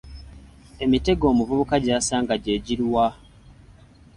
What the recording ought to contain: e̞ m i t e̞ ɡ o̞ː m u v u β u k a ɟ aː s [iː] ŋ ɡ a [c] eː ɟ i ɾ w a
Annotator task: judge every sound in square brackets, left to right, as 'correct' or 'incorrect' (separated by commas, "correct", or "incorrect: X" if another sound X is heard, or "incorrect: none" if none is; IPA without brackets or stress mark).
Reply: incorrect: aː, incorrect: ɟ